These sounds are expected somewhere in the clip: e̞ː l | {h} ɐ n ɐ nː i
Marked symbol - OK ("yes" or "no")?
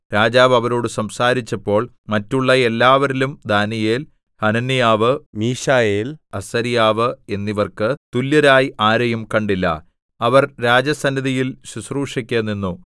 yes